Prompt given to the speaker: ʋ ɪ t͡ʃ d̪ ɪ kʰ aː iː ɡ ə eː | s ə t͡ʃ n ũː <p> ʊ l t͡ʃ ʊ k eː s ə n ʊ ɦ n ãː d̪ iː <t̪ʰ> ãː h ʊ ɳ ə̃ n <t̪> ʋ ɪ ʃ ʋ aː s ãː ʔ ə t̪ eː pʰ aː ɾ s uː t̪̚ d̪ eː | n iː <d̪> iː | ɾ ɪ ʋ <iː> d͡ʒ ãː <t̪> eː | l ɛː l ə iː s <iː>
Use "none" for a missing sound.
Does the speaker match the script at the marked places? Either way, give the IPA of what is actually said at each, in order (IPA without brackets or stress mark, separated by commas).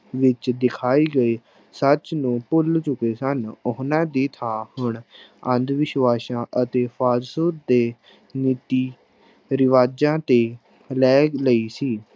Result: p, t̪ʰ, d̪, t̪, aː, t̪, iː